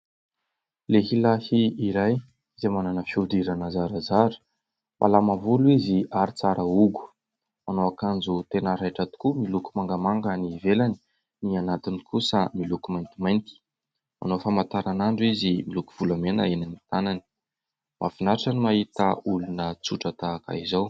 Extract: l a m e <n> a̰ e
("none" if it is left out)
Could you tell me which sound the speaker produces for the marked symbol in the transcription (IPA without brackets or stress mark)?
n